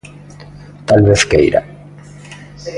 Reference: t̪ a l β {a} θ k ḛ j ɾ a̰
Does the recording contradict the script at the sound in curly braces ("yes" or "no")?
yes